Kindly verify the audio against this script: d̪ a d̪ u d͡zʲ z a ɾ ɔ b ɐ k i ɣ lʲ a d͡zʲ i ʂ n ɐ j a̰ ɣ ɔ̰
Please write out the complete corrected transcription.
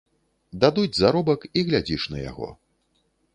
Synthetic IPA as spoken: d̪ a d̪ u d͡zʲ z a ɾ ɔ b ɐ k i ɣ lʲ a d͡zʲ i ʂ n ɐ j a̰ ɣ ɔ̰